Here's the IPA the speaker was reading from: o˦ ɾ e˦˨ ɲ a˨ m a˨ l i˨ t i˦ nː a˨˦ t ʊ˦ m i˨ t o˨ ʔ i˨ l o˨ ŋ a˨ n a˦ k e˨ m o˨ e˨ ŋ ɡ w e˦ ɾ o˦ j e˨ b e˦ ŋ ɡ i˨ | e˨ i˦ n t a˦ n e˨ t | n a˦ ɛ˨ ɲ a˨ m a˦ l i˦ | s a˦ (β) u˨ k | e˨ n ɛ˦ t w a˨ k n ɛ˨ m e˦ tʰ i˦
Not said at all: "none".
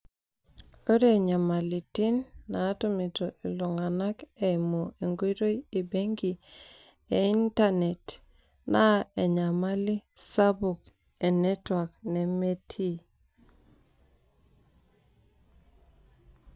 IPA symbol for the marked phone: b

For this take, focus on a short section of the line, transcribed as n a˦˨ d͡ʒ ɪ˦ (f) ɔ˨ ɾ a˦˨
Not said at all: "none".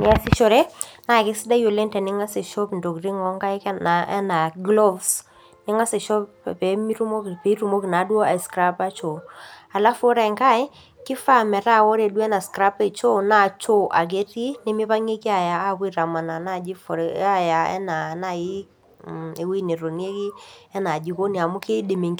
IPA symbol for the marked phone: f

